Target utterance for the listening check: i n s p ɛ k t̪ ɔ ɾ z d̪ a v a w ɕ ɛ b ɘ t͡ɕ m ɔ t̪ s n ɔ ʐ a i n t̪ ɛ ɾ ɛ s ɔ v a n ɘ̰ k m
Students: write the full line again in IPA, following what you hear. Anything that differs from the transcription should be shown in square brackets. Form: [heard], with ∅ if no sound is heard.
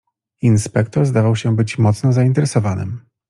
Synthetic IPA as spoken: i n s p ɛ k t̪ ɔ ɾ z d̪ a v a w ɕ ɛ b ɘ t͡ɕ m ɔ t̪ s n ɔ [z] a i n t̪ ɛ ɾ ɛ s ɔ v a n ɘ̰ [∅] m